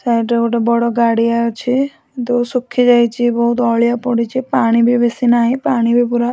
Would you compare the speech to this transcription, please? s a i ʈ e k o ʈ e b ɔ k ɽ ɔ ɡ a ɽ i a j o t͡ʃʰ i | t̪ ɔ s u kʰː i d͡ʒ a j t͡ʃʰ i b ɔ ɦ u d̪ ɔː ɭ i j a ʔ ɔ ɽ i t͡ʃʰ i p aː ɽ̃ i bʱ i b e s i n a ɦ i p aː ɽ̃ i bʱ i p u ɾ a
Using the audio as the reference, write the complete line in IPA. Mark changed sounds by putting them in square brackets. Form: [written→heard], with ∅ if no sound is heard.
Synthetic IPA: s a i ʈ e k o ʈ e b ɔ [k→∅] ɽ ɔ ɡ a ɽ i a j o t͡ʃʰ i | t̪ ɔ s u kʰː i d͡ʒ a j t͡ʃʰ i b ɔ ɦ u [d̪→t̪] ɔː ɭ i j a [ʔ→p] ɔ ɽ i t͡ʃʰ i p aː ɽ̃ i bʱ i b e s i n a ɦ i p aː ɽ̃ i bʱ i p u ɾ a